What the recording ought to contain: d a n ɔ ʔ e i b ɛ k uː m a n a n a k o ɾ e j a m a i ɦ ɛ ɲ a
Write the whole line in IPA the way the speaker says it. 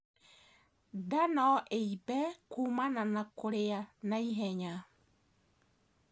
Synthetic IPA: d a n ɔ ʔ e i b ɛ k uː m a n a n a k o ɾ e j a n a i ɦ ɛ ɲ a